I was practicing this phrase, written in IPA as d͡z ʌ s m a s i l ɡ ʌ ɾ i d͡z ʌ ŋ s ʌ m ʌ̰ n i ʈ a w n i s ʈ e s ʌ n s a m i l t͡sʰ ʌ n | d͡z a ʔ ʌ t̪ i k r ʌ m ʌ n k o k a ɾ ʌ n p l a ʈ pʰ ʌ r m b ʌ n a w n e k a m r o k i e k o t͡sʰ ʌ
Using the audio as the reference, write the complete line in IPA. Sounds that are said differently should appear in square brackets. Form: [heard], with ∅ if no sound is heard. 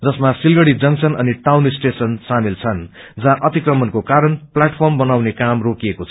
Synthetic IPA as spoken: d͡z ʌ s m a s i l ɡ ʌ [ɽ] i d͡z ʌ ŋ s ʌ [n] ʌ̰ n i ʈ a w n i s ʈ e s ʌ n s a m i l t͡sʰ ʌ n | d͡z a ʔ ʌ t̪ i k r ʌ m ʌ n k o k a ɾ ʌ n p l a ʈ pʰ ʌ r m b ʌ n a w n e k a m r o k i e k o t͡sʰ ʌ

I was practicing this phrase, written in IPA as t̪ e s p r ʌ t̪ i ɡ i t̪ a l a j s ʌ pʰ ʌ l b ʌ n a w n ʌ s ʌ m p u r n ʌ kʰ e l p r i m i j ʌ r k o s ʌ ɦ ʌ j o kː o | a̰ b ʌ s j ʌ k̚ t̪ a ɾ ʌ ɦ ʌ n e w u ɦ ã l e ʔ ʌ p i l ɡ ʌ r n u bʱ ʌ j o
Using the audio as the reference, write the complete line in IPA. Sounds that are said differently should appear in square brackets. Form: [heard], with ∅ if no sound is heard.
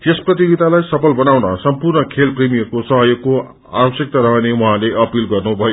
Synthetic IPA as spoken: t̪ e s p r ʌ t̪ i ɡ i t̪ a l a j s ʌ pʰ ʌ l b ʌ n a w n ʌ s ʌ m p u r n ʌ kʰ e l p r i m i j ʌ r k o s ʌ ɦ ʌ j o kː o | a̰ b ʌ s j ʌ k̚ t̪ a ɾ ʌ ɦ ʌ n e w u ɦ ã l e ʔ ʌ p i l ɡ ʌ r n u bʱ ʌ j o

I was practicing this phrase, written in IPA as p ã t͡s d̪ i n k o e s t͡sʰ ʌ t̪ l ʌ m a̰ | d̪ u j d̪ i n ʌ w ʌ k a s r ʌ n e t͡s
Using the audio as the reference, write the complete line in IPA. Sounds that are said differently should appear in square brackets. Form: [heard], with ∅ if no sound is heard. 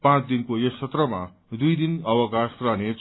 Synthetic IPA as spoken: p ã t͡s d̪ i n k o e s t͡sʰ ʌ t̪ [r] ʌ m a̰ | d̪ u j d̪ i n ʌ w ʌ k a s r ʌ n e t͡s

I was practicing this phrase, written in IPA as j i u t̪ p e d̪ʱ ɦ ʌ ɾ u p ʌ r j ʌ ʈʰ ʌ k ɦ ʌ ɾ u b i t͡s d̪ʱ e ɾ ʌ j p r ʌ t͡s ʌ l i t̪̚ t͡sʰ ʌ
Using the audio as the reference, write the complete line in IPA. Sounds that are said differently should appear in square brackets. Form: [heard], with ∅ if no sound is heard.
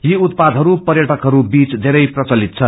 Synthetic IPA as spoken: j i u t̪ p [a] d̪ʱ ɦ ʌ ɾ u p ʌ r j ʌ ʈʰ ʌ k ɦ ʌ ɾ u b i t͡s d̪ʱ e ɾ ʌ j p r ʌ t͡s ʌ l i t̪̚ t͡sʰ ʌ

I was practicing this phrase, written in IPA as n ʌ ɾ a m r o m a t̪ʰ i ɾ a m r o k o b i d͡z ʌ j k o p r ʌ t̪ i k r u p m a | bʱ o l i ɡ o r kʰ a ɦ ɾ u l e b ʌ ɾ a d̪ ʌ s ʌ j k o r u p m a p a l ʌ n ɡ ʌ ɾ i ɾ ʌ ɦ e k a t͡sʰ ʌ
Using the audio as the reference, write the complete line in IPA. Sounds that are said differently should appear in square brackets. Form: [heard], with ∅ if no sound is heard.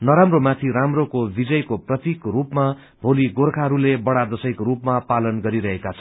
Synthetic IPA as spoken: n ʌ ɾ a m r o m a t̪ʰ i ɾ a m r o k o b i d͡z ʌ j k o p r ʌ t̪ i k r u p m a | bʱ o l i ɡ o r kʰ a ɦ ɾ u l e b ʌ [ɽ] a d̪ ʌ s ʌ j k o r u p m a p a l ʌ n ɡ ʌ ɾ i ɾ ʌ ɦ e k a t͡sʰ ʌ

